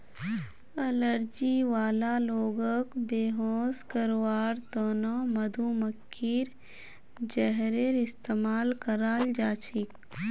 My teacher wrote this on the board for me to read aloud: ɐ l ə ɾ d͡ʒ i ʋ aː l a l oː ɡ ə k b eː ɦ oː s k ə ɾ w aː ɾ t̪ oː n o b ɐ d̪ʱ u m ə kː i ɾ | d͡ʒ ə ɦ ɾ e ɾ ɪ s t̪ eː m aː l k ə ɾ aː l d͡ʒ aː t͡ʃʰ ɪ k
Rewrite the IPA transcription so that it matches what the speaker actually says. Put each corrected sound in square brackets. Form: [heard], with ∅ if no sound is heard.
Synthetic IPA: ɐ l ə ɾ d͡ʒ i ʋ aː l a l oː ɡ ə k b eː ɦ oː s k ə ɾ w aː ɾ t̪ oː n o [m] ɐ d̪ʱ u m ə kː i ɾ | d͡ʒ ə ɦ ɾ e ɾ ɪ s t̪ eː m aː l k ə ɾ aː l d͡ʒ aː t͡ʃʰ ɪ k